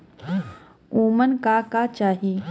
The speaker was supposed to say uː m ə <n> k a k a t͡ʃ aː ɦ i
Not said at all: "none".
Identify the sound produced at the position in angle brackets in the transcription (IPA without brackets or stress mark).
n